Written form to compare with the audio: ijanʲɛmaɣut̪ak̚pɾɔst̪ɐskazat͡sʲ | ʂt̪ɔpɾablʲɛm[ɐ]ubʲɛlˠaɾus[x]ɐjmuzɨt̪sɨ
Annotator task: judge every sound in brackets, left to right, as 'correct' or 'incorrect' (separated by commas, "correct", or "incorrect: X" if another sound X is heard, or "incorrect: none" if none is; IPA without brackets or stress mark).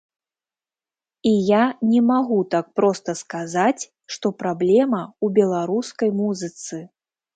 correct, incorrect: k